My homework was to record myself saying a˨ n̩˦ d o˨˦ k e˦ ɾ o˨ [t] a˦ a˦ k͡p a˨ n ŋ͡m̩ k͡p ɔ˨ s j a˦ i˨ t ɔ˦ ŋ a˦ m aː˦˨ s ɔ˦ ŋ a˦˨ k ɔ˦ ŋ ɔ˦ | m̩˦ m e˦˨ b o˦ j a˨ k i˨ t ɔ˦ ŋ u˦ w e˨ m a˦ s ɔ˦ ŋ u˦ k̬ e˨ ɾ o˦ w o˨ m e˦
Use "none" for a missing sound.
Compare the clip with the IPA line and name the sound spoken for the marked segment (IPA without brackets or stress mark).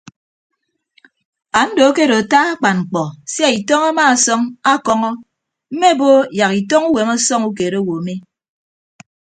t